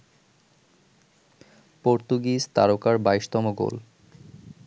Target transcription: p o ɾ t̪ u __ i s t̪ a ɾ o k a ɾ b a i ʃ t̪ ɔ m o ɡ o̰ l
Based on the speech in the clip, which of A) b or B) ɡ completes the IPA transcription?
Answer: B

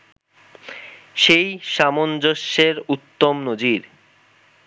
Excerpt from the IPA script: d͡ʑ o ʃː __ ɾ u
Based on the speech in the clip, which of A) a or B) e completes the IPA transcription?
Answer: B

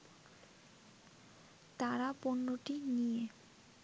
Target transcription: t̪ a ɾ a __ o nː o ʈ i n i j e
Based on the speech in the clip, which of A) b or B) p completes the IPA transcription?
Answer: B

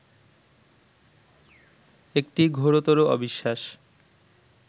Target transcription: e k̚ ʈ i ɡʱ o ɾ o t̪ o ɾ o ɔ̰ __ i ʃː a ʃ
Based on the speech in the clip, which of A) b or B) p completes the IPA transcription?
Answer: A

